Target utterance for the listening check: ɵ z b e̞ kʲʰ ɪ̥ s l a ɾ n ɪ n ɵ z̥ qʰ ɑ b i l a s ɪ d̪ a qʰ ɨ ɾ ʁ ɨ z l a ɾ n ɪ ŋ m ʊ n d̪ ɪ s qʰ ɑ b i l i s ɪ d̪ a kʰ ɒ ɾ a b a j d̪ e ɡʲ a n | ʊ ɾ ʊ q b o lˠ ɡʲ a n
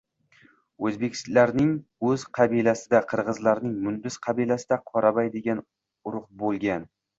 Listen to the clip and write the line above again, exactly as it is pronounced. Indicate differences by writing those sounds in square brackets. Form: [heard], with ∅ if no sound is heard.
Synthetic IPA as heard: ɵ z b e̞ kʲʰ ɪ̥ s l a ɾ n ɪ [ŋ] ɵ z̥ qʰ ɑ b i l a s ɪ d̪ a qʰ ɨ ɾ ʁ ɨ z l a ɾ n ɪ ŋ m ʊ n d̪ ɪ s qʰ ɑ b i l [a] s ɪ d̪ a [qʰ] ɒ ɾ a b a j d̪ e ɡʲ a n | ʊ ɾ ʊ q b o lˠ ɡʲ a n